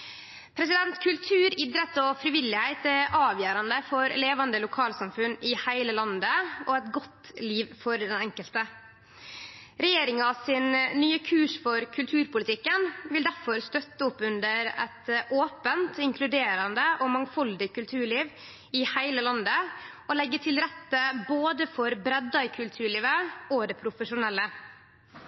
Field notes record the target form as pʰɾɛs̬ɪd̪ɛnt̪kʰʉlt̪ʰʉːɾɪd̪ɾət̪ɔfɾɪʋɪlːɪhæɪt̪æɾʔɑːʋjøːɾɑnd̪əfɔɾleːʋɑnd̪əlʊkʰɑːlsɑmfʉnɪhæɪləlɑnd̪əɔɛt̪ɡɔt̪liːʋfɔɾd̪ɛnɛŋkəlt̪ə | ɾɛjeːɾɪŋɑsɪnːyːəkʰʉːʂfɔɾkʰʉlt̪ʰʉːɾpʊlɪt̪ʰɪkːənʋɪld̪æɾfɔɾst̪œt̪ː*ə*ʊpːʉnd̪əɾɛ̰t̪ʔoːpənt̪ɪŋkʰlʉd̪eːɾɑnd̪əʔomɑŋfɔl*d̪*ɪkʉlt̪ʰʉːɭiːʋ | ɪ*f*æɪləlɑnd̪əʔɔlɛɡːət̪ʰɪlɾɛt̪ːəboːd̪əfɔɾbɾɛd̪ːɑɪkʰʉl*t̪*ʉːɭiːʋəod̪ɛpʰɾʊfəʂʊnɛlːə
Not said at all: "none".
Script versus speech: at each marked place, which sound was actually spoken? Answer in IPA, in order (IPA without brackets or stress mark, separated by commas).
ə, d̪, h, t̪ʰ